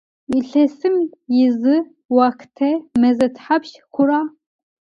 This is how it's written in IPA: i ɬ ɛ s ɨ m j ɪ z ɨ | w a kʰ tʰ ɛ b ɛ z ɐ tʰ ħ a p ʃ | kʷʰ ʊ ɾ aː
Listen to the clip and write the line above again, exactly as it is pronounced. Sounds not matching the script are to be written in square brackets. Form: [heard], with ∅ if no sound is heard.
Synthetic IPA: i ɬ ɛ s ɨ m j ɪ z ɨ | w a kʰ tʰ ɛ [m] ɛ z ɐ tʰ ħ a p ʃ | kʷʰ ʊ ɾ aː